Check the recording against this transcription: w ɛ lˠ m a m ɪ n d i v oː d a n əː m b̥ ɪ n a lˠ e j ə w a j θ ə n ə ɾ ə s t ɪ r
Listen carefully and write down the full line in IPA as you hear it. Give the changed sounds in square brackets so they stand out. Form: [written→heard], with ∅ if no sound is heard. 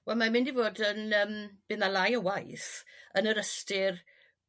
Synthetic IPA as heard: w ɛ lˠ m a m ɪ n d i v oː d [a→ə] n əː m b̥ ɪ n a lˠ [e→a] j ə w a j θ ə n ə ɾ ə s t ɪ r